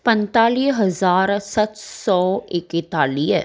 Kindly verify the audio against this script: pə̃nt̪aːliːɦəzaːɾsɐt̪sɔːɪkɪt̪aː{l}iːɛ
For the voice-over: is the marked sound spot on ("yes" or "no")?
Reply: yes